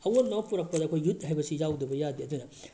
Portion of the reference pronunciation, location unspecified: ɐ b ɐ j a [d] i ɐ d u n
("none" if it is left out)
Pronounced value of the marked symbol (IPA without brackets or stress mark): d